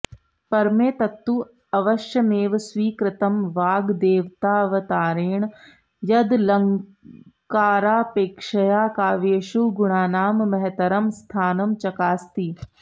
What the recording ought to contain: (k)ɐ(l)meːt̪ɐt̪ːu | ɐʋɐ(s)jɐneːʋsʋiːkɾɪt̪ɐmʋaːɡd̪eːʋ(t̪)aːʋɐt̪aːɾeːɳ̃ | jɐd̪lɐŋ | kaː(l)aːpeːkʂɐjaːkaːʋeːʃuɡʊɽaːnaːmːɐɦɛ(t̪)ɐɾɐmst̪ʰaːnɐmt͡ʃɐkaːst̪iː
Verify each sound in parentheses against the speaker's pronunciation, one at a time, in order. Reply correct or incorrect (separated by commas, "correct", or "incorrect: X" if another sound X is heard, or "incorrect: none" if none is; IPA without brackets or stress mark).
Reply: incorrect: p, incorrect: ɾ, incorrect: ʃ, correct, incorrect: ɾ, correct